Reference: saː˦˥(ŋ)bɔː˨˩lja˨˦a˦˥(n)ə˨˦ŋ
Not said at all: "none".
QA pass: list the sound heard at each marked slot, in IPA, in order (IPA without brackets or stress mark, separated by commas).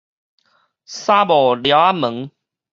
none, m